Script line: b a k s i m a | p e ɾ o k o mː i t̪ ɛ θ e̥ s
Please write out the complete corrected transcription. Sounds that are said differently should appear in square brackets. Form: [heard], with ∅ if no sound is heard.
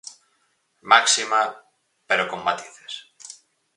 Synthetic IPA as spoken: [m] a k s i m a | p e ɾ o k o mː [a] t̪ [i] θ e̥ s